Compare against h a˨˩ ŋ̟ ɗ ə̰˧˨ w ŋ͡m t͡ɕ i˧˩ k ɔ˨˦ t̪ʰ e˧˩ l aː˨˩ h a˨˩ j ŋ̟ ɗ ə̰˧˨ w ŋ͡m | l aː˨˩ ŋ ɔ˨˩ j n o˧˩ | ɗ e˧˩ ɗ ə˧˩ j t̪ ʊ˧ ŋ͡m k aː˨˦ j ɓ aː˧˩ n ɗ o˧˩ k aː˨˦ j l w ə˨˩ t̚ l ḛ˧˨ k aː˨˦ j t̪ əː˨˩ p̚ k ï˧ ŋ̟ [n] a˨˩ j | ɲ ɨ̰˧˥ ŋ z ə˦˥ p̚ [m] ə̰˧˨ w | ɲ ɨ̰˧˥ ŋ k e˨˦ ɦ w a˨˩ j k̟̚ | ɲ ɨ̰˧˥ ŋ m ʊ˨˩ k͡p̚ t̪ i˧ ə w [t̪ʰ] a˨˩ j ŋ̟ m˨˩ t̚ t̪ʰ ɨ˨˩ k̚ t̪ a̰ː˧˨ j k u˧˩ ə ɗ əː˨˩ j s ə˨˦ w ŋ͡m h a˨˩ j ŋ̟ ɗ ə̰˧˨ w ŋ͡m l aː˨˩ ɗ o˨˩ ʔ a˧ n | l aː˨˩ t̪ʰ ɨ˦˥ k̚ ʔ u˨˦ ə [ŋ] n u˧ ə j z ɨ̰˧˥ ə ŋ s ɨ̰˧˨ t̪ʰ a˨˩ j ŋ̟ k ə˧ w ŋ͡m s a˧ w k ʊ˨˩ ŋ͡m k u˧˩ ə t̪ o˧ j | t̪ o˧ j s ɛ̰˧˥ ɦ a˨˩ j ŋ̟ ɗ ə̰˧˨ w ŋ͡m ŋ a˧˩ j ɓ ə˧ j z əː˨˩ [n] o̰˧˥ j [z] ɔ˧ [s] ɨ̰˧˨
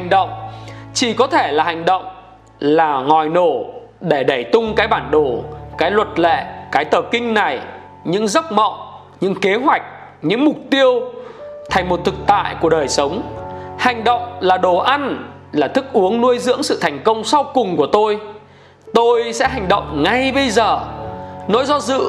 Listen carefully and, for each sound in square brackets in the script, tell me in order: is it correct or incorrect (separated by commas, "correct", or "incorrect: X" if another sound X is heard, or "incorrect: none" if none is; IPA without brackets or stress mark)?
correct, correct, correct, correct, correct, correct, incorrect: z